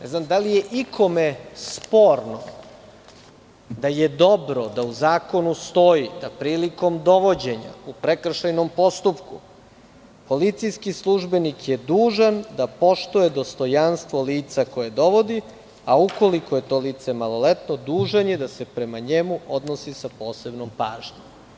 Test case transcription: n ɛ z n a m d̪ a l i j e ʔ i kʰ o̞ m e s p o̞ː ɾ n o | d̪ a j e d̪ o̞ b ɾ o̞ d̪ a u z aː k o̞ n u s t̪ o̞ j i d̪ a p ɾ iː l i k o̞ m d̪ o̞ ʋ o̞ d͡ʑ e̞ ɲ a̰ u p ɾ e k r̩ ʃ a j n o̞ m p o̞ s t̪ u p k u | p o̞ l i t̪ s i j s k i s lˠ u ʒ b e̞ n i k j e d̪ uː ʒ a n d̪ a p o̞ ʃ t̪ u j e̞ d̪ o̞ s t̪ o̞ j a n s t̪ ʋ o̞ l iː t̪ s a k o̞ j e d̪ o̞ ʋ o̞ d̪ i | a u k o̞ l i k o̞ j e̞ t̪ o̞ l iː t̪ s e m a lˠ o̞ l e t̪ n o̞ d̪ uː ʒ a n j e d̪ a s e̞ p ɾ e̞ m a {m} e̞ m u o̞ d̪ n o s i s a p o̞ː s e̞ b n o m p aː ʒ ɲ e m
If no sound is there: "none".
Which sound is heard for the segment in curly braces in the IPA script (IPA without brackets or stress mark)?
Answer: ɲ